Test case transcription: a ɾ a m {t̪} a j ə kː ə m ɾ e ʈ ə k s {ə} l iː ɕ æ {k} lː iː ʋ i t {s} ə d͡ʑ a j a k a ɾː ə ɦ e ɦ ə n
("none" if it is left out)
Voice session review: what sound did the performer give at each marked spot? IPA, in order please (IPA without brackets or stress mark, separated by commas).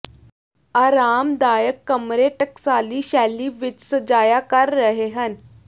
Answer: d̪, a, none, s